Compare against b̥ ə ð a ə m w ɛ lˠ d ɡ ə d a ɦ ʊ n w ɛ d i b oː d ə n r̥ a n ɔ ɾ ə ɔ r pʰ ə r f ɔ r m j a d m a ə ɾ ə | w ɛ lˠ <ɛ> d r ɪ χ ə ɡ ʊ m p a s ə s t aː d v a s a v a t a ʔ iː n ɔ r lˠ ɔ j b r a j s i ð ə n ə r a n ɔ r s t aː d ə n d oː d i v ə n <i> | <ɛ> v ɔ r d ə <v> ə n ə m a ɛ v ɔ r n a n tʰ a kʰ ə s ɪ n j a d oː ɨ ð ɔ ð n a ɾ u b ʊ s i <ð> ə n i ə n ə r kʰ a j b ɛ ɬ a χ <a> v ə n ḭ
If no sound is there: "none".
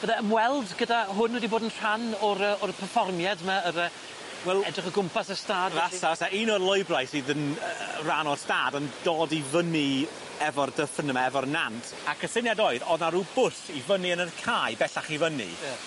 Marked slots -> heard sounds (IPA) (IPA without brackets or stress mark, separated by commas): ɛ, i, ɛ, f, v, i